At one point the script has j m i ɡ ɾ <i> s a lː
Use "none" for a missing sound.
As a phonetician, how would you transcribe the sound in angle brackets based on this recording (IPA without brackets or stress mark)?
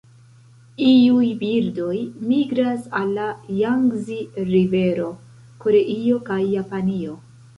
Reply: a